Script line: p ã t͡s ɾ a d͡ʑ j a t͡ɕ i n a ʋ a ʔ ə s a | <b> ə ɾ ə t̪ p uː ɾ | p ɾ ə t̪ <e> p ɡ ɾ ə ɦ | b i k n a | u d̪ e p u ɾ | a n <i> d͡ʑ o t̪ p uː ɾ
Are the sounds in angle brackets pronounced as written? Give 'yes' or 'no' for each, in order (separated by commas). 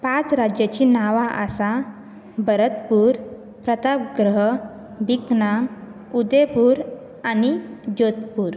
yes, no, yes